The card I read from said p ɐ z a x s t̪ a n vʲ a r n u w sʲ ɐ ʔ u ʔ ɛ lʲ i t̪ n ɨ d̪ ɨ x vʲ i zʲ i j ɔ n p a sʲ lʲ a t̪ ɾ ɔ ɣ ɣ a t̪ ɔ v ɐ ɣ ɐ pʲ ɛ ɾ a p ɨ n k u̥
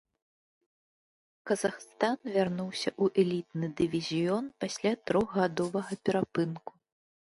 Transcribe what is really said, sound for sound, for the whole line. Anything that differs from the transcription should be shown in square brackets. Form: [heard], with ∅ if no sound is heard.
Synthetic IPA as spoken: [k] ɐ z a x s t̪ a n vʲ a r n u w sʲ ɐ ʔ u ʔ ɛ lʲ i t̪ n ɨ d̪ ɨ [∅] vʲ i zʲ i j ɔ n p a sʲ lʲ a t̪ ɾ ɔ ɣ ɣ a [d̪] ɔ v ɐ ɣ ɐ pʲ ɛ ɾ a p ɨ n k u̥